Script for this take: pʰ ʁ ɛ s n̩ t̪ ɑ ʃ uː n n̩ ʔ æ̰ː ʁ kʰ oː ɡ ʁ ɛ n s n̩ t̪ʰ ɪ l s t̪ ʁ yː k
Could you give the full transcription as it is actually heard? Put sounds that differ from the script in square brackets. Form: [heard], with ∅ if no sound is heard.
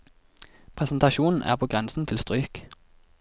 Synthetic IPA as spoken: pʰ ʁ ɛ s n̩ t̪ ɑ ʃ uː n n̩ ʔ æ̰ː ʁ [pʰ] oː ɡ ʁ ɛ n s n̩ t̪ʰ ɪ l s t̪ ʁ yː k